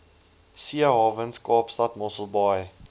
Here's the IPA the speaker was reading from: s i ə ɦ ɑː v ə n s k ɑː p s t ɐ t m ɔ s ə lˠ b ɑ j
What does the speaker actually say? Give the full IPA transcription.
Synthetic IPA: s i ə ɦ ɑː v ə n s k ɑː p s t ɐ t m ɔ s ə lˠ b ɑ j